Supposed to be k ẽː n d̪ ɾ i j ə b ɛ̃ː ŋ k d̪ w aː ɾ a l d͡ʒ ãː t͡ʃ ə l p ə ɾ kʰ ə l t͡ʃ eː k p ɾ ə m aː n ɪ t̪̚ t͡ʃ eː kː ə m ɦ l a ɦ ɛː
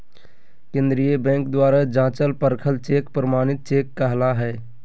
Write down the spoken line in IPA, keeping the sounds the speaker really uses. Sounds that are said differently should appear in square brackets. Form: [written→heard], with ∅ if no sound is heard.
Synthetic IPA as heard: k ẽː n d̪ ɾ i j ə b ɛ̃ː ŋ k d̪ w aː ɾ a [l→∅] d͡ʒ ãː t͡ʃ ə l p ə ɾ kʰ ə l t͡ʃ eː k p ɾ ə m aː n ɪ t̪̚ t͡ʃ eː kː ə [m→∅] ɦ l a ɦ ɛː